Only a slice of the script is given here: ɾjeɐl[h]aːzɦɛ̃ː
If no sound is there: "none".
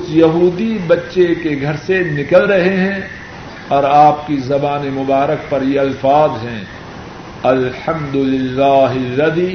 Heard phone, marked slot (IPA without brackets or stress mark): f